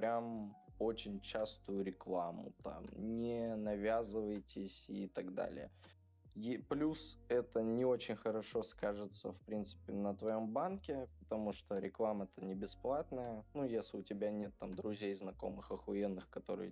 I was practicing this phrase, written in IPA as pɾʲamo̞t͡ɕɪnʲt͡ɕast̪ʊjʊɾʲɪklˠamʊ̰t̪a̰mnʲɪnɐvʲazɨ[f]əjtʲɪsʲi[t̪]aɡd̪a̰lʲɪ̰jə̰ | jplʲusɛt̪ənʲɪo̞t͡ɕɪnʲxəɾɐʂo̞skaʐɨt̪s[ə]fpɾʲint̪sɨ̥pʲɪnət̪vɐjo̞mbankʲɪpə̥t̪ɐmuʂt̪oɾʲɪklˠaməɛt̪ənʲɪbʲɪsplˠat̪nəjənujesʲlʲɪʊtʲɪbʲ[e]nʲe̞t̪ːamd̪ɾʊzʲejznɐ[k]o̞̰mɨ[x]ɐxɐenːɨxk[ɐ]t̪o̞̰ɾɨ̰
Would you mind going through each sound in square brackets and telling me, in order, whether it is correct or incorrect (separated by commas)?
incorrect, correct, correct, incorrect, correct, correct, correct